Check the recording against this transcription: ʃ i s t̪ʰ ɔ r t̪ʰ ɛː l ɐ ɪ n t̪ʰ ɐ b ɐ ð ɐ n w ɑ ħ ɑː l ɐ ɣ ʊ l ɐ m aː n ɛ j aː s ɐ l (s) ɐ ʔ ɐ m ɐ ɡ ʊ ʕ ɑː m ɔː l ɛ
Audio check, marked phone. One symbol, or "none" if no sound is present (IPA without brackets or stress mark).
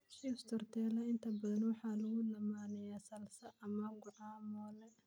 s